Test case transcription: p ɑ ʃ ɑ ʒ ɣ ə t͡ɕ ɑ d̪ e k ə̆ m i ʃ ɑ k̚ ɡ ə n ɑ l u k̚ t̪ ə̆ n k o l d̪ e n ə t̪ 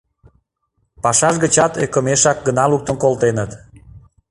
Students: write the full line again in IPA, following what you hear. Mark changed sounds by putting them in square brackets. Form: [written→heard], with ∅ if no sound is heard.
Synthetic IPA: p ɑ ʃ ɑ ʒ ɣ ə t͡ɕ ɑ [d̪→t̪] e k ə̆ m [i→e] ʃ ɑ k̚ ɡ ə n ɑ l u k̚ t̪ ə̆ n k o l [d̪→t̪] e n ə t̪